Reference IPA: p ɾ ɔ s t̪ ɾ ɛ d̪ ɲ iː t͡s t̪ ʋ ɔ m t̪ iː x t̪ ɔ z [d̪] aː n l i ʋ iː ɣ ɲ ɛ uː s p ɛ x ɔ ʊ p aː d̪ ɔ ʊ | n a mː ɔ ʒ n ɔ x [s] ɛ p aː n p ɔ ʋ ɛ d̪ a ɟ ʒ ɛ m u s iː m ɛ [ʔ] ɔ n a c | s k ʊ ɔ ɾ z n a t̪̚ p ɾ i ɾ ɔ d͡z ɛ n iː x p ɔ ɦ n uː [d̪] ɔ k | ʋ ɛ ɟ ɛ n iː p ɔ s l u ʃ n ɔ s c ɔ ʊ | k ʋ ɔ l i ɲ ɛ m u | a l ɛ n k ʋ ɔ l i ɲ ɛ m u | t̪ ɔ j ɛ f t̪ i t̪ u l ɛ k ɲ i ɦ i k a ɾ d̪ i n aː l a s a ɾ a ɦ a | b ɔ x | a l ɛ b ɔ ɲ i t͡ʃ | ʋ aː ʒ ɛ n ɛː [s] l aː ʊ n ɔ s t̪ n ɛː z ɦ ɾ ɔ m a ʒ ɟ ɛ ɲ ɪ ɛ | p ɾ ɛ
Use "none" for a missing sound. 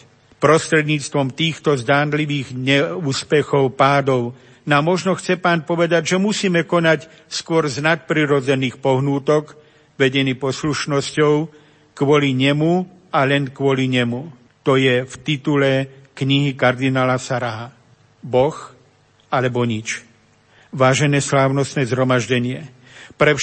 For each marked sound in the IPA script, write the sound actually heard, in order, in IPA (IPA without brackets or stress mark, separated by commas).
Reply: d̪, t͡s, k, t̪, s